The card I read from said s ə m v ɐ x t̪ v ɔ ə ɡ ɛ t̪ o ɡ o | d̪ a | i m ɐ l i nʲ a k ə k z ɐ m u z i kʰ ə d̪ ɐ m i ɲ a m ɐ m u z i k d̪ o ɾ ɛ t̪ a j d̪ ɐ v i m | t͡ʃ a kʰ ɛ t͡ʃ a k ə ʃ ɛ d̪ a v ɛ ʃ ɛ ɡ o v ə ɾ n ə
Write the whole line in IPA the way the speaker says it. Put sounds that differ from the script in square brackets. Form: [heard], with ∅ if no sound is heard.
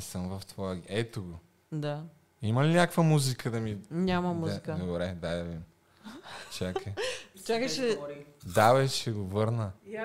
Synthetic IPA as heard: s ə m v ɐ [f] t̪ v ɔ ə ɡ ɛ t̪ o ɡ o | d̪ a | i m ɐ l i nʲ a k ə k [v] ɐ m u z i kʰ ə d̪ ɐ m i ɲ a m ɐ m u z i k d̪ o ɾ ɛ [d̪] a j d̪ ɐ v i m | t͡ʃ a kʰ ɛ t͡ʃ a k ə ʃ ɛ d̪ a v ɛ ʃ ɛ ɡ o v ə ɾ n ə